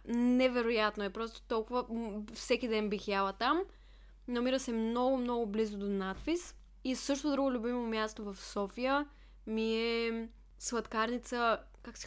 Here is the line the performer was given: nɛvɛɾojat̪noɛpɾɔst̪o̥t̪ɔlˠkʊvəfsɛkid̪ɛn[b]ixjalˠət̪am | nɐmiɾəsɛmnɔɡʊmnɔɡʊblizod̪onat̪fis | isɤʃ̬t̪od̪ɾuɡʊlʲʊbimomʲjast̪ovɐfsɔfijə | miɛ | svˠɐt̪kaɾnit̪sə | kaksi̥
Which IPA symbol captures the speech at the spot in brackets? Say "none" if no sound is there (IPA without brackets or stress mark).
b